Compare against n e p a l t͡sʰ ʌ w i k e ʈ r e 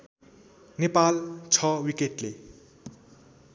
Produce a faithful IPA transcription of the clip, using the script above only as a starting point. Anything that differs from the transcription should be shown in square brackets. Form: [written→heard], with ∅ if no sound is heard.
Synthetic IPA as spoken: n e p a l t͡sʰ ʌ w i k e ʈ [r→l] e